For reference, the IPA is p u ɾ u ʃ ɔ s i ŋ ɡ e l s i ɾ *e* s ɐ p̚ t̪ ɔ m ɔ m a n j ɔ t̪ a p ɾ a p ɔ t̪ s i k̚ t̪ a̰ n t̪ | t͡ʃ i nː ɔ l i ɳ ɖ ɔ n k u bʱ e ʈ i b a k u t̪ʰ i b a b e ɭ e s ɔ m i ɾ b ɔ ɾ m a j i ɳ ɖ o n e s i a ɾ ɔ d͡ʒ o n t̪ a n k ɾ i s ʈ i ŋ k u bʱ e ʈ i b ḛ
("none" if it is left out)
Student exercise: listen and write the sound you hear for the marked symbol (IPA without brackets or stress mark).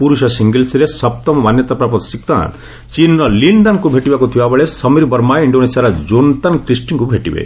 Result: e